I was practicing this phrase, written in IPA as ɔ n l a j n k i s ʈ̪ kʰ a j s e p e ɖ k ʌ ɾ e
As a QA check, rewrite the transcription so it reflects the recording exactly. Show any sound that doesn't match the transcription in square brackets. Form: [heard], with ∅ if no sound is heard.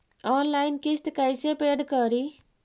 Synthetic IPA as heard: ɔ n l a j n k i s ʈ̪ [k] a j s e p e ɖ k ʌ ɾ [i]